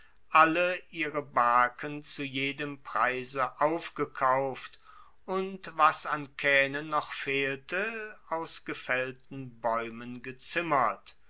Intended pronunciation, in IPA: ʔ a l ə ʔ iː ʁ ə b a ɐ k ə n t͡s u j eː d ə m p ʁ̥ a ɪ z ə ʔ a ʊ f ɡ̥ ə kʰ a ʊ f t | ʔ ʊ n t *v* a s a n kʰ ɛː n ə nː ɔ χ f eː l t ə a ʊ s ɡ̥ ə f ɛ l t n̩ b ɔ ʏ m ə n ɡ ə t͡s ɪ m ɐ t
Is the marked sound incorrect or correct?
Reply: correct